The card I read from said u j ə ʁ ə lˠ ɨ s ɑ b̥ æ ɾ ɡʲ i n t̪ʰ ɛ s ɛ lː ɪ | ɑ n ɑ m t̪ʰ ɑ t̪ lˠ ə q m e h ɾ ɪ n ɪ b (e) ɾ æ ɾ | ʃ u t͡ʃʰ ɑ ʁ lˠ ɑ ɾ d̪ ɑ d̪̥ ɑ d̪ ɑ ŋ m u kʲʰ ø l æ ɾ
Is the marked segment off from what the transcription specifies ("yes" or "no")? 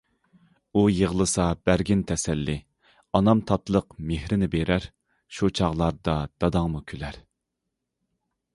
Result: no